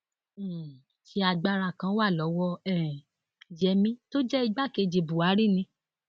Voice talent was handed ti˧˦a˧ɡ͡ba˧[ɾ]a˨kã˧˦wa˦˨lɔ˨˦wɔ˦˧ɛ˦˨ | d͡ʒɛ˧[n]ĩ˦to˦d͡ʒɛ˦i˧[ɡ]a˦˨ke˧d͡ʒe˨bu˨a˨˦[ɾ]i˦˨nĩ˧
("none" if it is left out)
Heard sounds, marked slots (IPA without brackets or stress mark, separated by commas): ɾ, m, ɡ͡b, ɾ